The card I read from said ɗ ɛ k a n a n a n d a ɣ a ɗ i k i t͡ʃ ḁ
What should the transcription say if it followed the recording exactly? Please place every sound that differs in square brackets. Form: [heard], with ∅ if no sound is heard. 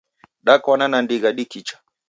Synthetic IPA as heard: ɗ [a] k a n a n a n d [i] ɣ a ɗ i k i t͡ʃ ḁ